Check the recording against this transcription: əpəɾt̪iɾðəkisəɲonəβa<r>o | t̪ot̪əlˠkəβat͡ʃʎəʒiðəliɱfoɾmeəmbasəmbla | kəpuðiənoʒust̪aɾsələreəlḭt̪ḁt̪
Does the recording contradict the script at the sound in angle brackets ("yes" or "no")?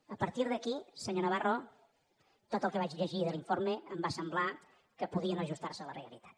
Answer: no